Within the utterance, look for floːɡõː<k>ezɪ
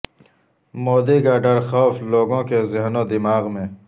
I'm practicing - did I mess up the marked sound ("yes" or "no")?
no